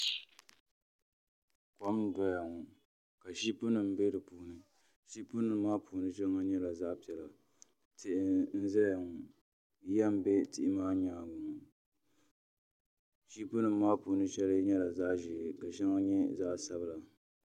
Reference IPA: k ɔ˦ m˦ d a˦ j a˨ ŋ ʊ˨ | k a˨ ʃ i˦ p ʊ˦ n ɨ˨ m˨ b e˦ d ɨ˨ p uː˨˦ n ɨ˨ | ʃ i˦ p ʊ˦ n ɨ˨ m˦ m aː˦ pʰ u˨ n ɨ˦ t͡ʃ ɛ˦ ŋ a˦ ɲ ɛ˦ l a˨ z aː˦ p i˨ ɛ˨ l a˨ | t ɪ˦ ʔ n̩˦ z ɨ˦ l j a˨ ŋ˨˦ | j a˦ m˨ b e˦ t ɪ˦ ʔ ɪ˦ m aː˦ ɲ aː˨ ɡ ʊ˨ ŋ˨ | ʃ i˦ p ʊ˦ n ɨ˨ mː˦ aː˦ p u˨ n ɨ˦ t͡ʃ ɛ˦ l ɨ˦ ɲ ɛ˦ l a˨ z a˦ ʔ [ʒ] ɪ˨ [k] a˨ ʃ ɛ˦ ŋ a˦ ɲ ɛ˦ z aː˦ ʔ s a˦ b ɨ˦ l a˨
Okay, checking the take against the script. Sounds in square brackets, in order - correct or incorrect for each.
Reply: correct, correct

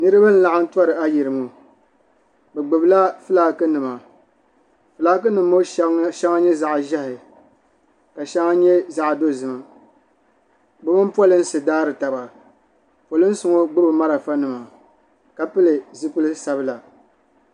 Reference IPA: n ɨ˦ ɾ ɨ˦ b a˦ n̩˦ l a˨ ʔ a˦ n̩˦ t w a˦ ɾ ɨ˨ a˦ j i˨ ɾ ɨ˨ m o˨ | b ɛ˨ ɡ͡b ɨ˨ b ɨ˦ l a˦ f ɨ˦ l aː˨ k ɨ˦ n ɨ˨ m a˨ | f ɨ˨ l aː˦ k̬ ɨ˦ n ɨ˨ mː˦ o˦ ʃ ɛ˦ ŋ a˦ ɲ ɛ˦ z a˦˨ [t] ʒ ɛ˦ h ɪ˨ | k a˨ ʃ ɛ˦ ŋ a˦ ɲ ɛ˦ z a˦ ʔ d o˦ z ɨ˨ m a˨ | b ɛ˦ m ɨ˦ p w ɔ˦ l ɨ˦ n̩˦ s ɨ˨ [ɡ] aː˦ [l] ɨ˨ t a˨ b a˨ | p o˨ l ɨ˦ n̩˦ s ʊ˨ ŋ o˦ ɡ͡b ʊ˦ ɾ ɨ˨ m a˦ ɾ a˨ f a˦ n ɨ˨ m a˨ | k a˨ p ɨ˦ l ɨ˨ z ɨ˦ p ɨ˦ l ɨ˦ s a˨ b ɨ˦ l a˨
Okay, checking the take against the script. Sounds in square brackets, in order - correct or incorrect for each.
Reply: incorrect: ʔ, incorrect: d, incorrect: ɾ

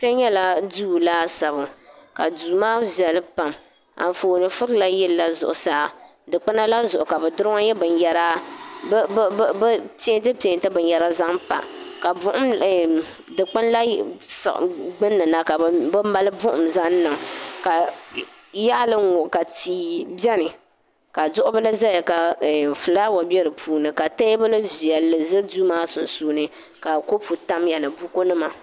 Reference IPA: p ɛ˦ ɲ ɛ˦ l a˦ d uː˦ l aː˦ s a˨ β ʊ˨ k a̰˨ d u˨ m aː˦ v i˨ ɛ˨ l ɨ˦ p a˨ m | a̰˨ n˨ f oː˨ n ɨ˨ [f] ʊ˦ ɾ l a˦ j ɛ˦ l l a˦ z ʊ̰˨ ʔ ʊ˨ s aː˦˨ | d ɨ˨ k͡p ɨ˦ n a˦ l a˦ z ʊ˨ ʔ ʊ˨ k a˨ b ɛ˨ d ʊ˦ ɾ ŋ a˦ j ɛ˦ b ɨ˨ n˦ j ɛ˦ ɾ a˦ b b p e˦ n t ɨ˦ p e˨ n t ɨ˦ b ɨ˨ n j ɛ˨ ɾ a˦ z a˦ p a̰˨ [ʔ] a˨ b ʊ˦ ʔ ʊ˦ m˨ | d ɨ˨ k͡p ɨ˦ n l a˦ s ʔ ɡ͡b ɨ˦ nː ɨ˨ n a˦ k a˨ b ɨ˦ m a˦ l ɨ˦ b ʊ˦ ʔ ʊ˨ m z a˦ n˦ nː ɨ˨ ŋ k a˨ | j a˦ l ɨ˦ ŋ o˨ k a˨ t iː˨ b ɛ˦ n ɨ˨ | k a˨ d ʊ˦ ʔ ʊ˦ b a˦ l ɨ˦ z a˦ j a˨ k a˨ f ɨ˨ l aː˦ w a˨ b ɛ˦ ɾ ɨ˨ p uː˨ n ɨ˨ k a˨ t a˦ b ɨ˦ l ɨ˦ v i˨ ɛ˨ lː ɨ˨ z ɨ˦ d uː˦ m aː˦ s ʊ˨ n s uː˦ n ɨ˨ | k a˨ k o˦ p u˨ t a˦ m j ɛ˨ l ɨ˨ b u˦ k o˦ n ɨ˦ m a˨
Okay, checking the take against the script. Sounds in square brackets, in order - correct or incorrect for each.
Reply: correct, incorrect: k

